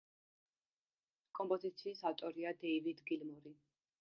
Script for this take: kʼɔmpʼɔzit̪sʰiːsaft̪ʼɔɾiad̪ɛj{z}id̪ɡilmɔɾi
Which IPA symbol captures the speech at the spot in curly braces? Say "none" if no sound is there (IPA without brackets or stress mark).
v